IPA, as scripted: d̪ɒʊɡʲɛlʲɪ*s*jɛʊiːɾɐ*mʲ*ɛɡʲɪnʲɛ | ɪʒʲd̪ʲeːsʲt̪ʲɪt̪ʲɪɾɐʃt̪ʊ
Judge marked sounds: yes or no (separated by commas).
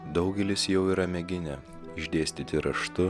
yes, yes